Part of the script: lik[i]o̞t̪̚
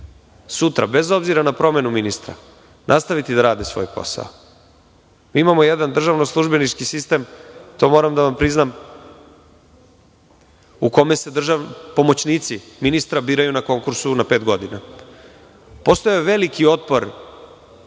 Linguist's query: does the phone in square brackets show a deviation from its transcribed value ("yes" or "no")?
no